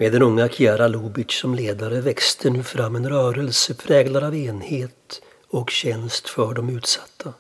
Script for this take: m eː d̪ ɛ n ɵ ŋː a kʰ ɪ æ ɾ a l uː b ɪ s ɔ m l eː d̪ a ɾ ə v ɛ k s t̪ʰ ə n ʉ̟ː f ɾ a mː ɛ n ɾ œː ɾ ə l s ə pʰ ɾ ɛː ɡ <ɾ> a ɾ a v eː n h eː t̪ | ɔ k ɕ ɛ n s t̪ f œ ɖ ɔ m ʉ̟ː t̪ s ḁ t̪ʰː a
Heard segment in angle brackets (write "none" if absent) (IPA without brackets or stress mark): l